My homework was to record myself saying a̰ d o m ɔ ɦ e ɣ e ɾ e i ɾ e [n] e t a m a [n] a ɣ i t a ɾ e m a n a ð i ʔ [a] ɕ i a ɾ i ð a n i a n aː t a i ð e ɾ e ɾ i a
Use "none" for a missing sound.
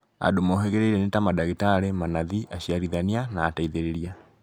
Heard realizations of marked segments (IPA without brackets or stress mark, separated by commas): n, d, a